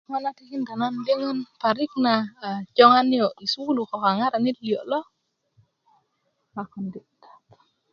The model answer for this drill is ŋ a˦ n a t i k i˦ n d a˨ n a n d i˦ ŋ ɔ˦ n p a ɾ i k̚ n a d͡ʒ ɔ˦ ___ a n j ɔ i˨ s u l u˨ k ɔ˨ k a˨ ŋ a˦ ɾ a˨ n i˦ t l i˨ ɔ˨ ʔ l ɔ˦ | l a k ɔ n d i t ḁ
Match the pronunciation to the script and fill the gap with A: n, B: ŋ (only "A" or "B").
B